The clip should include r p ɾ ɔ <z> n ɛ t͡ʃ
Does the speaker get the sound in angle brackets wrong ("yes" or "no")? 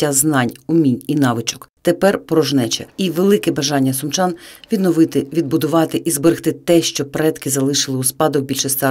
yes